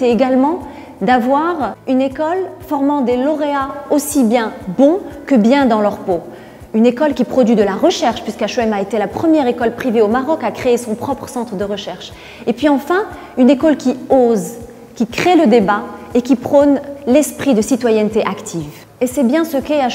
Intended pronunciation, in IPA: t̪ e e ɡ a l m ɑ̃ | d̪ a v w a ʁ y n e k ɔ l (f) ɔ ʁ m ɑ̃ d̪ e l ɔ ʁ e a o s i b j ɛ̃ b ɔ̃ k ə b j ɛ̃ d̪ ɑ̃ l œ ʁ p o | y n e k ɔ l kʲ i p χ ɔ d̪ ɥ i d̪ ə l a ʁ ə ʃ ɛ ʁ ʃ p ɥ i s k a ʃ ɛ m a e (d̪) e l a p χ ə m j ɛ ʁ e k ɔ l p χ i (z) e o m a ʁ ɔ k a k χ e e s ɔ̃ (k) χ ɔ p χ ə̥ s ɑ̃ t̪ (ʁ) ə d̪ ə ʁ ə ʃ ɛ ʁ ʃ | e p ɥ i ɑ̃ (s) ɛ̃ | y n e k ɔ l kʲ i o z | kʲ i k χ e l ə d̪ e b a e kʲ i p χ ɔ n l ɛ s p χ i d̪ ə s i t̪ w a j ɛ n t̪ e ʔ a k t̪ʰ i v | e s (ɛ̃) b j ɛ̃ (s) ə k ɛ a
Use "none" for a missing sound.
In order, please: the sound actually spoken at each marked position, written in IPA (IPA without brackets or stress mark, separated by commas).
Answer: f, t̪, v, p, χ, f, ɛ, s